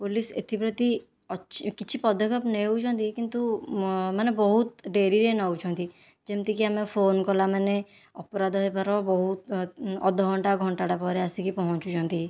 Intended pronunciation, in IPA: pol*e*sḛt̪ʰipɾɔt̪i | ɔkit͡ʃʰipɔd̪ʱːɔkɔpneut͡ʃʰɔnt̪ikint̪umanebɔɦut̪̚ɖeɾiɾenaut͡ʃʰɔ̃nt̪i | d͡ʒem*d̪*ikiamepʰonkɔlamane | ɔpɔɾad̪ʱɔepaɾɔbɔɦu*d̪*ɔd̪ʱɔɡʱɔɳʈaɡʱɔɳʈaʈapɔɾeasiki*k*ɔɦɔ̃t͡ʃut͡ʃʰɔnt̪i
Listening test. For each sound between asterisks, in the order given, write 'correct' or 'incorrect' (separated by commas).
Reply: incorrect, incorrect, incorrect, incorrect